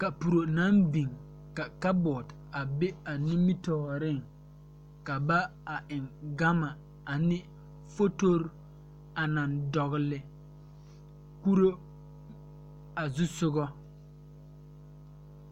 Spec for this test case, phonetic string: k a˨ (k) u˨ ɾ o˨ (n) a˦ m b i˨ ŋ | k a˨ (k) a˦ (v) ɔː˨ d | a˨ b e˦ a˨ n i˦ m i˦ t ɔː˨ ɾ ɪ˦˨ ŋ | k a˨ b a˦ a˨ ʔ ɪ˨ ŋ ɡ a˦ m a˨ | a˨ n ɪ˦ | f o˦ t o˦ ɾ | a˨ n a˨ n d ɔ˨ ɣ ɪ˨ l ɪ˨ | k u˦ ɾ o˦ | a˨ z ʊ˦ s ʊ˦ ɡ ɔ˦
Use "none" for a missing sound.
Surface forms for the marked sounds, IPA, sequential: p, n, k, b

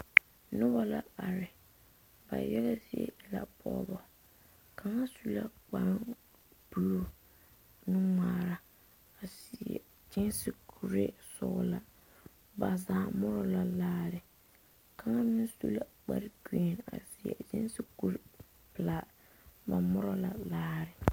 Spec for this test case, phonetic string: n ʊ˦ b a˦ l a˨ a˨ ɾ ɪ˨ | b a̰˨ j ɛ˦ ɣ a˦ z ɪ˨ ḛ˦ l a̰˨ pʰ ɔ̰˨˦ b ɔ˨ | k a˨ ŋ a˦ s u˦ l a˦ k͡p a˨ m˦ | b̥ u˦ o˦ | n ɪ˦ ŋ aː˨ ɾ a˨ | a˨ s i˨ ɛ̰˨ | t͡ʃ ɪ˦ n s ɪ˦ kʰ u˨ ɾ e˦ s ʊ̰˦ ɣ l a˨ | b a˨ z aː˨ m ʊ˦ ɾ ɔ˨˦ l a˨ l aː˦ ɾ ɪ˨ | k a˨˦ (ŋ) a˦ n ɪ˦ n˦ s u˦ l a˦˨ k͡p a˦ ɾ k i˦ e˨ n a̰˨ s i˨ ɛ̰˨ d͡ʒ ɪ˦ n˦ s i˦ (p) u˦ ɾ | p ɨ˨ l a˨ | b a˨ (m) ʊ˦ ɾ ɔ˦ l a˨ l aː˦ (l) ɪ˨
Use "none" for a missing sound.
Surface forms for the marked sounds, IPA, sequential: ŋ, k, m, ɾ

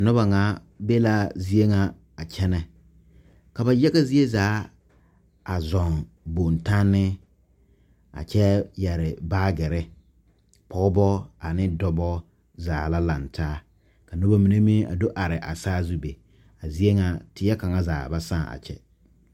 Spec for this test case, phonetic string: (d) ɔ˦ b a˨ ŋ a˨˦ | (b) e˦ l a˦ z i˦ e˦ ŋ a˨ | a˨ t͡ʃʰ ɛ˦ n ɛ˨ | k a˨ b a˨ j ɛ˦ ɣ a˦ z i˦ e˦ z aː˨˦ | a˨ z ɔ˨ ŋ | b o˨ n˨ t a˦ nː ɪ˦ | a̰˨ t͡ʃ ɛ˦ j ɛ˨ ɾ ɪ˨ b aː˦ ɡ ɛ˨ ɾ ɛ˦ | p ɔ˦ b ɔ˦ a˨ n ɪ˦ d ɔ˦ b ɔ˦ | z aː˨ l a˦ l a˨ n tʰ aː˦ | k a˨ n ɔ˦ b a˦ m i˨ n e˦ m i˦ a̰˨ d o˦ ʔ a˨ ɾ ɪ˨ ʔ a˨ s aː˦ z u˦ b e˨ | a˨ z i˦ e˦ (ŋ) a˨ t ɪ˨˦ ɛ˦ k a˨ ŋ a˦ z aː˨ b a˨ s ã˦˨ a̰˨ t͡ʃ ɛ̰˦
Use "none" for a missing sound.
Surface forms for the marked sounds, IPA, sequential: n, b, ŋ

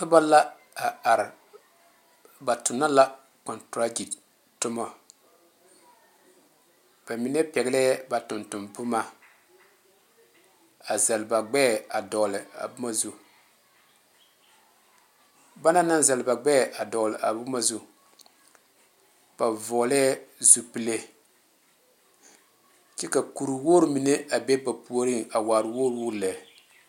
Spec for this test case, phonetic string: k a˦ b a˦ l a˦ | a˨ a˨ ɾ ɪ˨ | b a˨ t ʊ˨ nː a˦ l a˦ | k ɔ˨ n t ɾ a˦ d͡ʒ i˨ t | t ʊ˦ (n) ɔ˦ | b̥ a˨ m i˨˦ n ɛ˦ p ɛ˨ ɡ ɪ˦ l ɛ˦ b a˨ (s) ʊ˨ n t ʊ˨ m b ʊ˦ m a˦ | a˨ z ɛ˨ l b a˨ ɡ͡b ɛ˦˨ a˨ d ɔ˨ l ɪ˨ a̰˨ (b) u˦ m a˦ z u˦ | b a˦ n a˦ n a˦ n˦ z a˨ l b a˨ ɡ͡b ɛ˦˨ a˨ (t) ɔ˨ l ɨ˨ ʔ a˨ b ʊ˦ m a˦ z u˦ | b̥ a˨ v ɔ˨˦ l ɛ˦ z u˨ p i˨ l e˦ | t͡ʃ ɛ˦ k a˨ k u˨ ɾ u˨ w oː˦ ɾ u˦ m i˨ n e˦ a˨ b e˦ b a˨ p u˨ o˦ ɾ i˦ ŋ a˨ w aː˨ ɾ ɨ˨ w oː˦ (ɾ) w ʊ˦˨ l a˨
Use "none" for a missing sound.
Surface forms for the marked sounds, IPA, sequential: m, t, b, d, ɾ

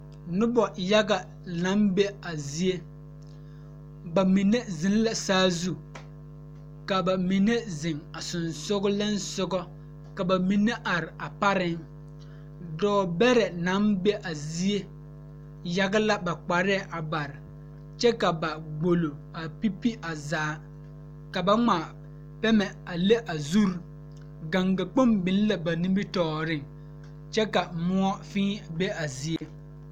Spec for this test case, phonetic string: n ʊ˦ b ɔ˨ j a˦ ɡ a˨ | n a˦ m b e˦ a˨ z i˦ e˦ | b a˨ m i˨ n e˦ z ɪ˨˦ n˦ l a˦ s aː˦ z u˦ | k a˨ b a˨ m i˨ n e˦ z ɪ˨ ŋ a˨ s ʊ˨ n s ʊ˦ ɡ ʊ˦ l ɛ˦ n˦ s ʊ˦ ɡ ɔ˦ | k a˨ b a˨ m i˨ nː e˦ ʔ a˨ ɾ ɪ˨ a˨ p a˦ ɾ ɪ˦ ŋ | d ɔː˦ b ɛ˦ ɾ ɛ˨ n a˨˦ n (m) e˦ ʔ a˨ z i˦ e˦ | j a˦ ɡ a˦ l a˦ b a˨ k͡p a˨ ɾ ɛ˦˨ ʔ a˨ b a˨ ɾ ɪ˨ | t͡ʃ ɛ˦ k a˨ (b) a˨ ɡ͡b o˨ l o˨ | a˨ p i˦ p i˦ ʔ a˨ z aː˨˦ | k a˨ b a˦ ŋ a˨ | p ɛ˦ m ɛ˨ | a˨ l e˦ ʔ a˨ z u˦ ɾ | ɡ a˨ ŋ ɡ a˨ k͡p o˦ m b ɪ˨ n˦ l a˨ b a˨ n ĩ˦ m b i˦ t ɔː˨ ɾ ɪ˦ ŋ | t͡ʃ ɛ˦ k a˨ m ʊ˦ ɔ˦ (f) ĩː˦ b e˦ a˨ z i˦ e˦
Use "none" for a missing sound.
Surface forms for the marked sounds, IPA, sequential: b, b, f

